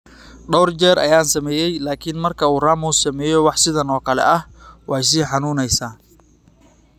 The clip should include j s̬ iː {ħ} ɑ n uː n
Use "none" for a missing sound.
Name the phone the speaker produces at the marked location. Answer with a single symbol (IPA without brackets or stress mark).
ħ